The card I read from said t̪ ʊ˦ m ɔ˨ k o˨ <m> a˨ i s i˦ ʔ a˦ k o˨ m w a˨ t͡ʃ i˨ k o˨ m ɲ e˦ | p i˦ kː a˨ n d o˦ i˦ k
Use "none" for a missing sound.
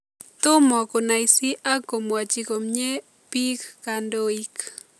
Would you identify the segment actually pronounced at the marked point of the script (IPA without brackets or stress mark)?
n